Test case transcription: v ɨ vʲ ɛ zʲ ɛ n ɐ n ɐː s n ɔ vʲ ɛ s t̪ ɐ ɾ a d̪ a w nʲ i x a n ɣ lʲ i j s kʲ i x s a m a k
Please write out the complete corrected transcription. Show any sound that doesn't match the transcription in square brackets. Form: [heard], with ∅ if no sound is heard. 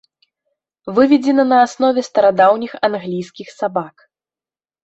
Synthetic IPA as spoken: v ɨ vʲ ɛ [d͡zʲ] ɛ n ɐ n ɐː s n ɔ vʲ ɛ s t̪ ɐ ɾ a d̪ a w nʲ i x a n ɣ lʲ i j s kʲ i x s a [b] a k